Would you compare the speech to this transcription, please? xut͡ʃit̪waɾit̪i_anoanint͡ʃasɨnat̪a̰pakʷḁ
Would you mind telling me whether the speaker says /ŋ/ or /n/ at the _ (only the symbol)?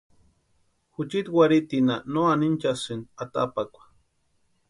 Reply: n